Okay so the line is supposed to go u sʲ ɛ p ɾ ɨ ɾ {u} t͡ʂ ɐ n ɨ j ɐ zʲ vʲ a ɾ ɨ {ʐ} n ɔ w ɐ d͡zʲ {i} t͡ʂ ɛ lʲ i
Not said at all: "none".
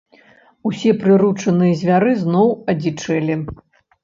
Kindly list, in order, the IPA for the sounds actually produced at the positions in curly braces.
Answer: u, z, i

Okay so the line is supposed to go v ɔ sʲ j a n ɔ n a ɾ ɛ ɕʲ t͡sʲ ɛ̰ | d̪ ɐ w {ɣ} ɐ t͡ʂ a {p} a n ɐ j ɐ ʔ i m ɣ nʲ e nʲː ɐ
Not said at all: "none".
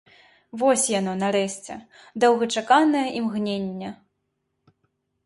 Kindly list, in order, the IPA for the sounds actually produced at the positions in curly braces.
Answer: ɣ, k

